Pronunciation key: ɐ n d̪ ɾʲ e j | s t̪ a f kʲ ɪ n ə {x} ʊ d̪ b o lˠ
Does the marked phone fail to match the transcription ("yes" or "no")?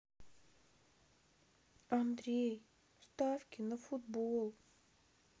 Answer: yes